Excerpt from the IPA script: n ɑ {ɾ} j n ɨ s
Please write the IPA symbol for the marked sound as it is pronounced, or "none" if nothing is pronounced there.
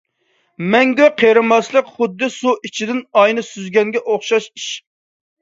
none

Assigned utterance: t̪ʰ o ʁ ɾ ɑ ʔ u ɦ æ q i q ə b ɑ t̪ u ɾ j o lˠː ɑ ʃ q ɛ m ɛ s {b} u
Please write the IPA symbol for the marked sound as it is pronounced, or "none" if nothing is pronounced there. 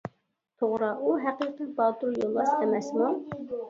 m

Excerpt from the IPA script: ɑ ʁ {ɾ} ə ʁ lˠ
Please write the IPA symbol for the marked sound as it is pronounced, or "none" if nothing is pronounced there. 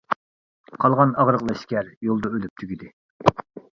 ɾ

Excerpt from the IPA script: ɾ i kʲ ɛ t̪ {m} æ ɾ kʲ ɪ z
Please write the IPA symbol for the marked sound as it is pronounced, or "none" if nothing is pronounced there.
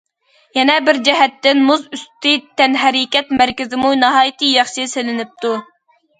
m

